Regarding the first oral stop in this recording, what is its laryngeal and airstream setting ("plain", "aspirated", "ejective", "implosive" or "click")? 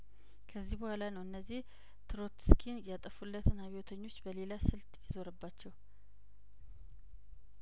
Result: aspirated